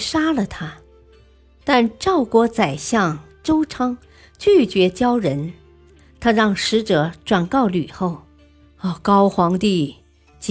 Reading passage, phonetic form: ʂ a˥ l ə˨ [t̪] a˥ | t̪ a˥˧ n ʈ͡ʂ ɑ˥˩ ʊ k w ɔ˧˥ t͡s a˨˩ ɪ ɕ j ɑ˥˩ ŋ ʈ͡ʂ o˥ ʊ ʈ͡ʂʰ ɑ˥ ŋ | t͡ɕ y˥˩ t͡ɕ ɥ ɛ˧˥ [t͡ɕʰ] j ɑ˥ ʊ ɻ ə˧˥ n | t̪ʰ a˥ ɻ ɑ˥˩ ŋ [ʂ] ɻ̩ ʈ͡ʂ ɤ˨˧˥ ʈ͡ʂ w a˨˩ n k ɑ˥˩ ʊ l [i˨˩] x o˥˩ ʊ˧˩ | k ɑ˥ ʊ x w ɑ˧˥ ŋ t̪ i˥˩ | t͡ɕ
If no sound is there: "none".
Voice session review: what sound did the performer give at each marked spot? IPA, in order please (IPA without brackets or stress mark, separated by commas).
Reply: t̪ʰ, t͡ɕ, ʂ, y˨˩